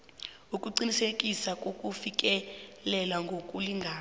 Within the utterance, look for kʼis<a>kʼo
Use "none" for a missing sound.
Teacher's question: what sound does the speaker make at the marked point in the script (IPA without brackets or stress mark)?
a